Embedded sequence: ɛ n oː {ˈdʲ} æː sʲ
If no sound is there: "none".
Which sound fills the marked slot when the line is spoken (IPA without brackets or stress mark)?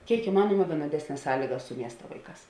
dʲ